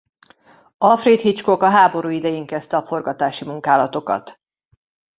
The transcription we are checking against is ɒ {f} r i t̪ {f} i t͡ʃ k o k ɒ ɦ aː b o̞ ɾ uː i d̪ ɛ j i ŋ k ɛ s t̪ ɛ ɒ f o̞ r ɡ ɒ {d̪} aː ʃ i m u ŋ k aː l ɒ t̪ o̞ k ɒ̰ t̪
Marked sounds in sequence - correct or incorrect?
correct, incorrect: h, incorrect: t̪

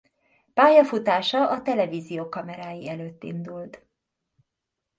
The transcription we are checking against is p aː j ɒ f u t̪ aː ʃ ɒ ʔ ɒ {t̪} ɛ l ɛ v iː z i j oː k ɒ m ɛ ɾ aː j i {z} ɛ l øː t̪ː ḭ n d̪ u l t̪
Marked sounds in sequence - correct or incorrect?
correct, incorrect: none

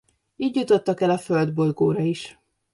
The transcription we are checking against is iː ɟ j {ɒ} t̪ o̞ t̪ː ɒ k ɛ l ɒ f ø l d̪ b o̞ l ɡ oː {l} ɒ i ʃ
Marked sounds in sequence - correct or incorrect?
incorrect: u, incorrect: ɾ

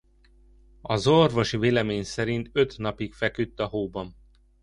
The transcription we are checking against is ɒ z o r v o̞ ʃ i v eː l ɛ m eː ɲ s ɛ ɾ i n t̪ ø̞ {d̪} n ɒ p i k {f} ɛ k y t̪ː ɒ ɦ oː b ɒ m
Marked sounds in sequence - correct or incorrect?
incorrect: t̪, correct

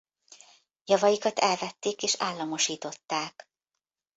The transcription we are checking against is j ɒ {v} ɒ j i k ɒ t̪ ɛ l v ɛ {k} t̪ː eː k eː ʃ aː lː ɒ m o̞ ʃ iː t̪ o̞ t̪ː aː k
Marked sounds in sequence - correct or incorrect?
correct, incorrect: none

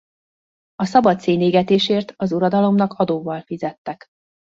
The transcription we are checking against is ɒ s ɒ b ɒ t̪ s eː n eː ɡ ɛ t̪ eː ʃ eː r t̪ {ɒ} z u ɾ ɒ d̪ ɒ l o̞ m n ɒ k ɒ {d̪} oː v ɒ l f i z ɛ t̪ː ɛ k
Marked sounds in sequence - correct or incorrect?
correct, correct

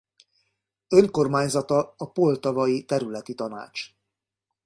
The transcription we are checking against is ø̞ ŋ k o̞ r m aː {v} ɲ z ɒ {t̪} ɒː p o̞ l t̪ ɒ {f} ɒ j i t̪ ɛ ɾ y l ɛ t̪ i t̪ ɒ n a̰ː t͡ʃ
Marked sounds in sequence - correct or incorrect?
incorrect: none, correct, incorrect: v

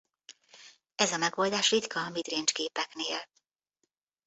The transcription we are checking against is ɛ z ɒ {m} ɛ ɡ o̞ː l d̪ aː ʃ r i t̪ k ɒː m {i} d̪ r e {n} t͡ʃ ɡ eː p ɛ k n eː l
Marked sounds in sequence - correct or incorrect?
correct, correct, correct

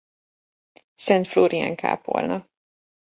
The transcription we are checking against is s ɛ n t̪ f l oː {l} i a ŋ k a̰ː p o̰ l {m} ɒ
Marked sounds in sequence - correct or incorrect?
incorrect: ɾ, incorrect: n

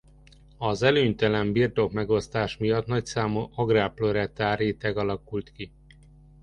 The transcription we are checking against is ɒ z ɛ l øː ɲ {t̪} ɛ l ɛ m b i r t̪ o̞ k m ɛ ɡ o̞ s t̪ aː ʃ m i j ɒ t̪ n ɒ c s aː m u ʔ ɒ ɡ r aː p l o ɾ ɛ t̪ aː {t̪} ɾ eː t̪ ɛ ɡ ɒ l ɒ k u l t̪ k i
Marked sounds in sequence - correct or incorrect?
correct, incorrect: none

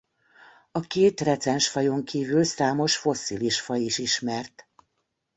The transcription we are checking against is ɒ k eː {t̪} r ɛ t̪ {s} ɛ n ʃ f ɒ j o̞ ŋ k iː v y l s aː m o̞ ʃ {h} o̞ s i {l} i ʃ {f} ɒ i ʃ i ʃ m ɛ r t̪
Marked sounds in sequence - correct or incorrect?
correct, correct, incorrect: f, correct, correct

